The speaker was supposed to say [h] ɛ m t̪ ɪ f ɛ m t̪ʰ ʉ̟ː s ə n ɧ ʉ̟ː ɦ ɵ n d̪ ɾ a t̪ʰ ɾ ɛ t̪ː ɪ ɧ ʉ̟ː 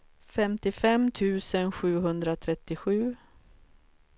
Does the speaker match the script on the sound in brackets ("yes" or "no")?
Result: no